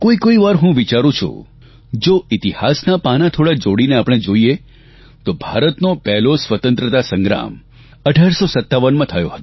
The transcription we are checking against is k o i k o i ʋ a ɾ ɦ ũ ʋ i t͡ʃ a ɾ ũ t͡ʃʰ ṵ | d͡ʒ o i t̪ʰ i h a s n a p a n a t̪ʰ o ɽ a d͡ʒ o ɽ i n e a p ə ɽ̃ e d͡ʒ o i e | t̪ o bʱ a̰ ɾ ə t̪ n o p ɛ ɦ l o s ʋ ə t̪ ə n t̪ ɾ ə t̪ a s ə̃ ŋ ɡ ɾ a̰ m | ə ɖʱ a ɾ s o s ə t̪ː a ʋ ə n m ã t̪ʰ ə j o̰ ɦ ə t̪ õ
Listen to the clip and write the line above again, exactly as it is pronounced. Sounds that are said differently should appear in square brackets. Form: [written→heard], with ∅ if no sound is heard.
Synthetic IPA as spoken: k o i k o i ʋ a ɾ ɦ ũ ʋ i t͡ʃ a ɾ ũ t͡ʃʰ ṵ | d͡ʒ o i [t̪ʰ→t̪] i h a s n a p a n a t̪ʰ o ɽ a d͡ʒ o ɽ i n e a p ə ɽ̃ e d͡ʒ o i e | t̪ o bʱ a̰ ɾ ə t̪ n o p ɛ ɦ l o s ʋ ə t̪ ə n t̪ ɾ ə t̪ a s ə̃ ŋ ɡ ɾ a̰ m | ə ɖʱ a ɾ s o s ə t̪ː a ʋ ə n m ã t̪ʰ ə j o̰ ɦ ə t̪ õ